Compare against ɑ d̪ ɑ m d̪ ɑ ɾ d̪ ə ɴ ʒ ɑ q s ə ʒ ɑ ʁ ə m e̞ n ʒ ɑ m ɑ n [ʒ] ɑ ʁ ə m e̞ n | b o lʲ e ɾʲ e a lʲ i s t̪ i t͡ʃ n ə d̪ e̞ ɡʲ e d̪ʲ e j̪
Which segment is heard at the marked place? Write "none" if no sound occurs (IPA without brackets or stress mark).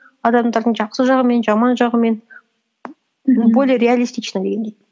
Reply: ʒ